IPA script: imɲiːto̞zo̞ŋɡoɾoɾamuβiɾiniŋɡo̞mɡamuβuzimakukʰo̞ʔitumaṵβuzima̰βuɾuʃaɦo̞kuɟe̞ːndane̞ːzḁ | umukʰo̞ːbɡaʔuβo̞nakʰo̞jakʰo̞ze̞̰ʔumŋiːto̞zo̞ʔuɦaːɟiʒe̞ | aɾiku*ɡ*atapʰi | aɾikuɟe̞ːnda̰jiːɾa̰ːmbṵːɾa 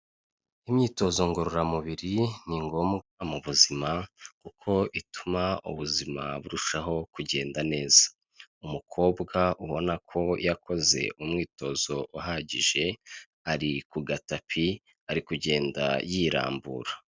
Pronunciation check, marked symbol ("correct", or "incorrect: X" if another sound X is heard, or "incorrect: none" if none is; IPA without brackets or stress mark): correct